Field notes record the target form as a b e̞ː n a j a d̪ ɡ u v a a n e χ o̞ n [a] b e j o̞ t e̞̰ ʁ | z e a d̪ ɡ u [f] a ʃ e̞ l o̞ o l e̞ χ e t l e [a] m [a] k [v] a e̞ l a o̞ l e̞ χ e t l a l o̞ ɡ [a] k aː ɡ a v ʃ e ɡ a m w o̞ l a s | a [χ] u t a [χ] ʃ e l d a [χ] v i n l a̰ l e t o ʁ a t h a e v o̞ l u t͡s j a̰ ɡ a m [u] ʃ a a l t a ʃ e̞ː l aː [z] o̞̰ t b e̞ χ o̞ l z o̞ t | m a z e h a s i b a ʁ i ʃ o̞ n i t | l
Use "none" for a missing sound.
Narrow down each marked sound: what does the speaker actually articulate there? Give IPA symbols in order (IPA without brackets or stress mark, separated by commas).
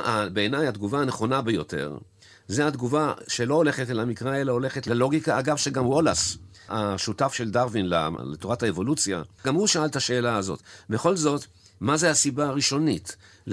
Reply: a, v, a, i, ʁ, i, ʃ, f, ʁ, u, z